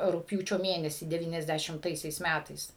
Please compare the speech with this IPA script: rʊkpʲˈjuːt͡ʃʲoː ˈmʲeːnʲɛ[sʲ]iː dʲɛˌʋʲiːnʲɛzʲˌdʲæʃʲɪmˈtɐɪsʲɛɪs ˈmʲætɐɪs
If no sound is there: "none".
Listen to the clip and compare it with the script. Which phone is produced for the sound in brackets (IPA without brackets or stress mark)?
sʲ